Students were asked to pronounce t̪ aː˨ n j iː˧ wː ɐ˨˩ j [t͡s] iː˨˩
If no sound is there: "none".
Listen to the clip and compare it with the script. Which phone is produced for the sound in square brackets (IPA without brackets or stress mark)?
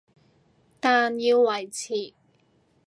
t͡sʰ